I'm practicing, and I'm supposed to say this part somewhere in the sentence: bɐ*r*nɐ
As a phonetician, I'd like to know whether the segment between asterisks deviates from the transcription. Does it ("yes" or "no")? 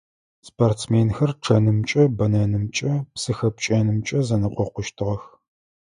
yes